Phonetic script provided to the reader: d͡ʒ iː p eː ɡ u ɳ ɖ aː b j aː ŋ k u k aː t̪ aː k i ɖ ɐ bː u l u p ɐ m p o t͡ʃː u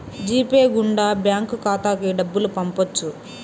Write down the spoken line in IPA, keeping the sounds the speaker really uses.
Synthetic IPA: d͡ʒ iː p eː ɡ u ɳ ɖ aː b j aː ŋ k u k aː t̪ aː k i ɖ ɐ bː u l u p ɐ m p o t͡ʃː u

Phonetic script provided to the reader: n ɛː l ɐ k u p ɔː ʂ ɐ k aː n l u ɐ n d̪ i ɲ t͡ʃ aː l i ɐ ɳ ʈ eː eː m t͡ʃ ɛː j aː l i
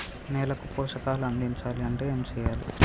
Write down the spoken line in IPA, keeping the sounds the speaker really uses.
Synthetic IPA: n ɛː l ɐ k u p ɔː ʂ ɐ k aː l u ɐ n d̪ i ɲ t͡ʃ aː l i ɐ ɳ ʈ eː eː m t͡ʃ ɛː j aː l i

